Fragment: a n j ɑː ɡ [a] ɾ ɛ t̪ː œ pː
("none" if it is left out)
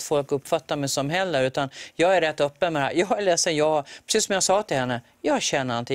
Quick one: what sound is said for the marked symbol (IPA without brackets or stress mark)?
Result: æ